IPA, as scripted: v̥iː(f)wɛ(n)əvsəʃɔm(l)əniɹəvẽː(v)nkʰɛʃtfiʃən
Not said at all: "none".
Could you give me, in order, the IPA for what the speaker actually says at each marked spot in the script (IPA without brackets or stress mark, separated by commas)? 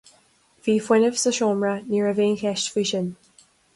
f, n, ɹ, none